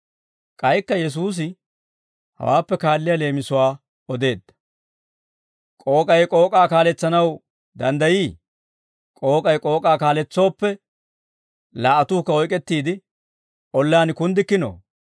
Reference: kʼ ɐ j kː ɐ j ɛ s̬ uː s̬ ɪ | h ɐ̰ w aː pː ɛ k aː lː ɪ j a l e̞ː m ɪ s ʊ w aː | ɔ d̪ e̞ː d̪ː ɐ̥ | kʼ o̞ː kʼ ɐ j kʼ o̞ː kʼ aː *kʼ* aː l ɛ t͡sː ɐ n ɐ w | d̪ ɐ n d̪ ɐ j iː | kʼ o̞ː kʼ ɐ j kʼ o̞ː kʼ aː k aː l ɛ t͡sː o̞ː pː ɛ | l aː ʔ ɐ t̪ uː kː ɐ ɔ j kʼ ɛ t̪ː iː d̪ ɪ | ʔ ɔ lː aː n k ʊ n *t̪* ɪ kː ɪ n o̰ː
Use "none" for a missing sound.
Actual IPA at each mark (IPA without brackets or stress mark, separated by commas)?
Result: k, d̪